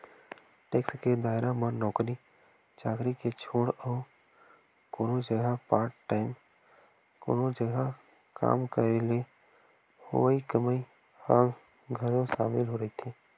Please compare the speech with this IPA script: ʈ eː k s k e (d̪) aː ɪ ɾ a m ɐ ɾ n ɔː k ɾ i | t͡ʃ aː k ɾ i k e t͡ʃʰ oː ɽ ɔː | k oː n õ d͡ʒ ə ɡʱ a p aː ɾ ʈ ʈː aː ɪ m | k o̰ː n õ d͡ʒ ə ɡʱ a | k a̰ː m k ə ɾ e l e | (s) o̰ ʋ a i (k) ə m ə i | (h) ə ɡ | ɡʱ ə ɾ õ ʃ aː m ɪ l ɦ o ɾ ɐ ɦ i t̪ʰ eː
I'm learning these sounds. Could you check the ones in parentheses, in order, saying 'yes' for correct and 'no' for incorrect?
yes, no, yes, yes

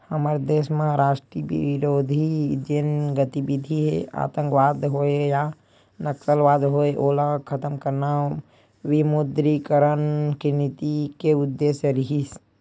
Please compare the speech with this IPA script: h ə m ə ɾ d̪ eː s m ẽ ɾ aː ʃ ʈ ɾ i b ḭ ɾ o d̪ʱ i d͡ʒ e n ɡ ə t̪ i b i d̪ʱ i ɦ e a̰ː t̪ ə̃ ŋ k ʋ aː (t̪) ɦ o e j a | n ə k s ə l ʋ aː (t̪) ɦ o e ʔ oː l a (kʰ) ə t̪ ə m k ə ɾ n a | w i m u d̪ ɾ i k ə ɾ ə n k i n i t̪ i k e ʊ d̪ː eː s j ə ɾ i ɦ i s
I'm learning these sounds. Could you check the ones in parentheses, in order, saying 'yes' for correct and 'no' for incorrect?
no, no, yes

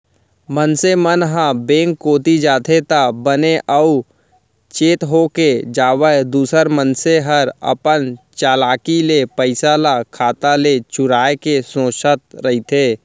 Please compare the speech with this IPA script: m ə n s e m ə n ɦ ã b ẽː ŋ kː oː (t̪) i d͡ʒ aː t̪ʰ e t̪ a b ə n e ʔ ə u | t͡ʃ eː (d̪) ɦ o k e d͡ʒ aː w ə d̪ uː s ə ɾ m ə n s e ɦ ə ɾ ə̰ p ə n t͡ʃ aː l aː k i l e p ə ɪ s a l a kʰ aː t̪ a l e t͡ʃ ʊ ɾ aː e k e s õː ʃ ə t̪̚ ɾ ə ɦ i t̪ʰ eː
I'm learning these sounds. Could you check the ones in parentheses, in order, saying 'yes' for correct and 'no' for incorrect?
yes, no

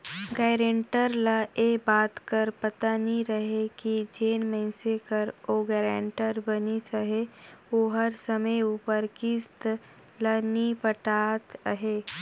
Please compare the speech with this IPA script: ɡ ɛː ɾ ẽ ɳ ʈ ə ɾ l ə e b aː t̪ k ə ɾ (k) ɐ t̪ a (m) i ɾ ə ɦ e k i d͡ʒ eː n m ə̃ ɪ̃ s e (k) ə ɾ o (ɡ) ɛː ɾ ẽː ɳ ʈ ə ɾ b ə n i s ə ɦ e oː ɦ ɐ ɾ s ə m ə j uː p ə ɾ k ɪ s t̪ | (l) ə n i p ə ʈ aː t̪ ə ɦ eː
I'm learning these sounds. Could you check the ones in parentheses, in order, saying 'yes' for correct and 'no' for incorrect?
no, no, yes, yes, yes

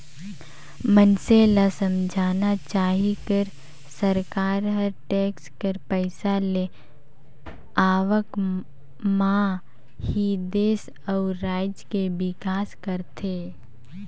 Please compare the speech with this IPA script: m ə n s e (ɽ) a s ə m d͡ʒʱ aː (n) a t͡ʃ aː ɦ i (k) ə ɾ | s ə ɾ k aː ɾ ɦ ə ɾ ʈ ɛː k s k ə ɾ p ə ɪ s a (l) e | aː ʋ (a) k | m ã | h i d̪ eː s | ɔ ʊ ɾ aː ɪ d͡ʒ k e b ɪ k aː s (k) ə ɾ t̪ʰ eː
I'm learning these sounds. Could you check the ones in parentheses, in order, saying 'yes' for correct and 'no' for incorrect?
no, yes, yes, yes, no, yes

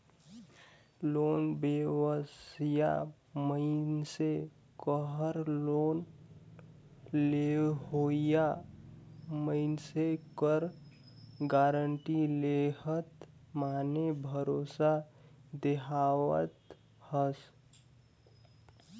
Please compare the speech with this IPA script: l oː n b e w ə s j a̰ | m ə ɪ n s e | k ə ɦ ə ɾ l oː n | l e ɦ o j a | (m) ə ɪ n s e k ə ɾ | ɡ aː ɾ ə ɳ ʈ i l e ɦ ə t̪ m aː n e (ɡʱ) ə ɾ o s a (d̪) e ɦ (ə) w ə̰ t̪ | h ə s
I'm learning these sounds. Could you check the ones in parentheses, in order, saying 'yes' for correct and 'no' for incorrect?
yes, no, yes, no

